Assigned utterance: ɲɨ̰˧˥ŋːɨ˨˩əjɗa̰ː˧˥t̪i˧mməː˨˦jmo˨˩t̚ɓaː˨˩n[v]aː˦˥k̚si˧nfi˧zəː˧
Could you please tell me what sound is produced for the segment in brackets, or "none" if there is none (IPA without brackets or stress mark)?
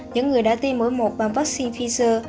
v